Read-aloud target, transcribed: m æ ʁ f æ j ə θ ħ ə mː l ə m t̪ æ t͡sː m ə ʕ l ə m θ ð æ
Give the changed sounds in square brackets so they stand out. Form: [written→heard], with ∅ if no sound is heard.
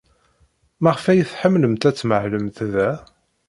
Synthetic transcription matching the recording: m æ ʁ f æ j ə θ ħ ə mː l ə m t̪ æ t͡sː m ə ʕ l ə m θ ð æ